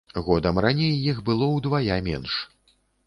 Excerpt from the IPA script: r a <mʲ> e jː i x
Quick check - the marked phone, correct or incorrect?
incorrect